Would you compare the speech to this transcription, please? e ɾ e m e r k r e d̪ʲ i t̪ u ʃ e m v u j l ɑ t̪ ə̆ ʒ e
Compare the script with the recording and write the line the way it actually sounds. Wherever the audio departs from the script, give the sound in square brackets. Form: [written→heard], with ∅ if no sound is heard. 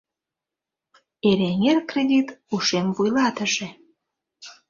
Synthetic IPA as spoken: e ɾ e [m→ŋ] e r k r e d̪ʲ i t̪ u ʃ e m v u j l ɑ t̪ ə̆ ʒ e